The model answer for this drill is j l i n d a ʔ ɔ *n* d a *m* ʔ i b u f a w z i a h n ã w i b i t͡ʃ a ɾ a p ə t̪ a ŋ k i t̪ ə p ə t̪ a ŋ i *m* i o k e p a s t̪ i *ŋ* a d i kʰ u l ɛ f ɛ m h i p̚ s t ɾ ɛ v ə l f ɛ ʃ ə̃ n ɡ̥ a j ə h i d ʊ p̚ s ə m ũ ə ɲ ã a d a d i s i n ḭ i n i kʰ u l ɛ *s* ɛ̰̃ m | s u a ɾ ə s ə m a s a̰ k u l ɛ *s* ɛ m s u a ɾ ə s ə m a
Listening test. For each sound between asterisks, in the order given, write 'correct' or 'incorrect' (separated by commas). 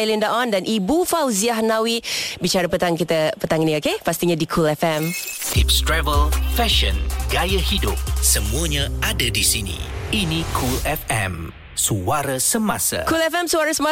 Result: correct, incorrect, incorrect, incorrect, incorrect, incorrect